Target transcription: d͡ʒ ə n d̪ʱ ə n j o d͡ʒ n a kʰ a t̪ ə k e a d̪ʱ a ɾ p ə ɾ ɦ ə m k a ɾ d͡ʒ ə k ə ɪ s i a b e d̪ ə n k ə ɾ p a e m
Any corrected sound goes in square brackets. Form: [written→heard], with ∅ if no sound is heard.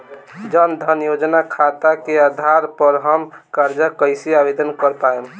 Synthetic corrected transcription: d͡ʒ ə n d̪ʱ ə n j o d͡ʒ n a kʰ a t̪ [ə→a] k e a d̪ʱ a ɾ p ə ɾ ɦ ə m k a ɾ d͡ʒ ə k ə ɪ s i a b e d̪ ə n k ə ɾ p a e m